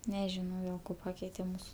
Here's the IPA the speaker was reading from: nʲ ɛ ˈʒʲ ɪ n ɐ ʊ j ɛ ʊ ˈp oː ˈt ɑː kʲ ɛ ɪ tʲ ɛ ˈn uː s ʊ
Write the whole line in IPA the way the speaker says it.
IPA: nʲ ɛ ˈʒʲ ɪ n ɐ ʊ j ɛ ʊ ˈk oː ˈp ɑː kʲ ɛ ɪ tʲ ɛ ˈm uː s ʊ